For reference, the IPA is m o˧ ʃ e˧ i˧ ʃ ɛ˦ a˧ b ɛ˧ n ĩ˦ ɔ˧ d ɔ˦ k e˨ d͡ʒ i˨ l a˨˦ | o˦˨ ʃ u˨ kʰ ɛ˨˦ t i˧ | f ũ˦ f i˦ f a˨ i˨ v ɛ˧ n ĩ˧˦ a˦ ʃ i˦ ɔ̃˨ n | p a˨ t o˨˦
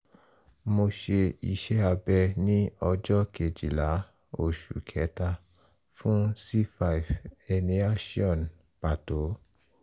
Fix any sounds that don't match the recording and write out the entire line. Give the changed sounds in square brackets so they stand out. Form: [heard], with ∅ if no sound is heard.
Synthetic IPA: m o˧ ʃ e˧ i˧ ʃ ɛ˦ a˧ b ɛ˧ n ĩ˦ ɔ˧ [d͡ʒ] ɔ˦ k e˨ d͡ʒ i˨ l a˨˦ | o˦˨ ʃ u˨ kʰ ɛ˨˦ t [a˧] | f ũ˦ [s] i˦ f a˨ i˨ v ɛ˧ n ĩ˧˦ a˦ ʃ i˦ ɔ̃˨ n | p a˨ t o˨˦